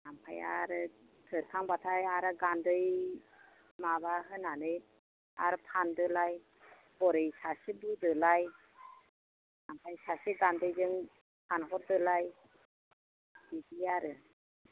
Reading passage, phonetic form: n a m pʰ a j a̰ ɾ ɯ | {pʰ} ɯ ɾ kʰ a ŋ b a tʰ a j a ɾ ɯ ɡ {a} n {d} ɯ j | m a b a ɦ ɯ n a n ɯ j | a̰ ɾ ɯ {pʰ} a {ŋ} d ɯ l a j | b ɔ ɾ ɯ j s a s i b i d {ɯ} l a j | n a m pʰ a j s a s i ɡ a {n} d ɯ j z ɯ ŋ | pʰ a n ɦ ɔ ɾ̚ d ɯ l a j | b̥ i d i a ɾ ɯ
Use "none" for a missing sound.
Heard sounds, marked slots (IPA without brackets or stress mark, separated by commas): tʰ, a, d, pʰ, n, ɯ, n